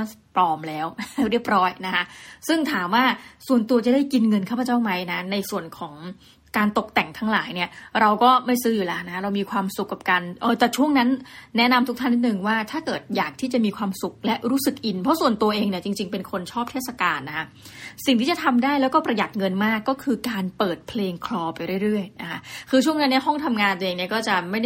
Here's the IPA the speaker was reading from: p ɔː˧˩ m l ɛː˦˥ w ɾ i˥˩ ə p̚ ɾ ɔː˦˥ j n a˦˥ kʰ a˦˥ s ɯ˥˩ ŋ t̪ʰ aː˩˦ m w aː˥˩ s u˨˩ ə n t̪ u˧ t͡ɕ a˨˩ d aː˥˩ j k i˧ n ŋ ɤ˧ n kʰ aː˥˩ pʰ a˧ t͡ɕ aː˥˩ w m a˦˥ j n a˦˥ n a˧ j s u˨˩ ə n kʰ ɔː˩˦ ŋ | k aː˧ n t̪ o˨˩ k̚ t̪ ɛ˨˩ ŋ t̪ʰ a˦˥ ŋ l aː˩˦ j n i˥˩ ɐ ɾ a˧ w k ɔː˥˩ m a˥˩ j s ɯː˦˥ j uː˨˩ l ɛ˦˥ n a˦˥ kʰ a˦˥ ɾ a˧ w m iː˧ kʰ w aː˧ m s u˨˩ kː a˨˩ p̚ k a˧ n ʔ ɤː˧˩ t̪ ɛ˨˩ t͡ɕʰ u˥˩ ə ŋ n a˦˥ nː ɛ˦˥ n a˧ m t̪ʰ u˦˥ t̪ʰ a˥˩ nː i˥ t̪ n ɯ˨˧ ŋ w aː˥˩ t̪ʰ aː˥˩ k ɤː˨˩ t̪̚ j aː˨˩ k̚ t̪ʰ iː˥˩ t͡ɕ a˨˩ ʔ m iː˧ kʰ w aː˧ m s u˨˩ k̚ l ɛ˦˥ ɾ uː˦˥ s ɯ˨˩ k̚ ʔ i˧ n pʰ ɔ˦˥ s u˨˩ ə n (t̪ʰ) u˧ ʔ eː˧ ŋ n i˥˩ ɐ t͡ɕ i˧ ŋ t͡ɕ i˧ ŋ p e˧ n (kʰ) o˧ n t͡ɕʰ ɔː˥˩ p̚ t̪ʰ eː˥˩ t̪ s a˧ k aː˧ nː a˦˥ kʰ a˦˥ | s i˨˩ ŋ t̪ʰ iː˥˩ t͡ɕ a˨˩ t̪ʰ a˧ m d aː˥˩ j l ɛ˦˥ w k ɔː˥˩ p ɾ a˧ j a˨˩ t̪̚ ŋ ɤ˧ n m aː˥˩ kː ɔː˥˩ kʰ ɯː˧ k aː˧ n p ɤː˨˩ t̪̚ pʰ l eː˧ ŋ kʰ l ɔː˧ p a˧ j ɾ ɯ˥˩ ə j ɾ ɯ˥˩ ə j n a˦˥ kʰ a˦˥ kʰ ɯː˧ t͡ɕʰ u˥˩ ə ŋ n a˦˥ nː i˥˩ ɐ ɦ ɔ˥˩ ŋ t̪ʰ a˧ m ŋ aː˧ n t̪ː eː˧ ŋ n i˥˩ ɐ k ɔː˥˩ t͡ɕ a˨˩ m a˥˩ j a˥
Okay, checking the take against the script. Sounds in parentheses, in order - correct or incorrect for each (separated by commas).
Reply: incorrect, correct